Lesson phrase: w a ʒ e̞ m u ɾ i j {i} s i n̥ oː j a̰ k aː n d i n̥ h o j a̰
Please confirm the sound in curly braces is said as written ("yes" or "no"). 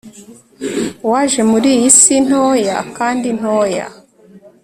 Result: yes